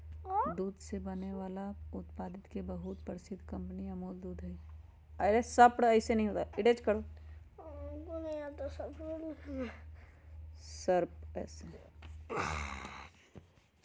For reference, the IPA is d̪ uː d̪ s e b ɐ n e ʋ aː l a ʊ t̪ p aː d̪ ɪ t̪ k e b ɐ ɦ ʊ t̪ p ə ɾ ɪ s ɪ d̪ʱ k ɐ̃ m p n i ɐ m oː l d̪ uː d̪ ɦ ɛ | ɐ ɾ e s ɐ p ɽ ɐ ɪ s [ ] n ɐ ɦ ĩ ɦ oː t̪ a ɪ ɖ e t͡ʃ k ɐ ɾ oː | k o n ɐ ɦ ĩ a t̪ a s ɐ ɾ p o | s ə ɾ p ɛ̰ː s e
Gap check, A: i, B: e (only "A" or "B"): B